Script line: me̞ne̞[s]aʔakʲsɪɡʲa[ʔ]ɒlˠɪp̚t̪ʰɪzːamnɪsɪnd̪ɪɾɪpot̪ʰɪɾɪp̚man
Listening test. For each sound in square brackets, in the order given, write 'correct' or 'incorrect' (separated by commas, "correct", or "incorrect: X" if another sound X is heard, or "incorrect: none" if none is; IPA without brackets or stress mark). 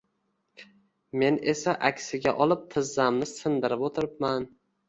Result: correct, correct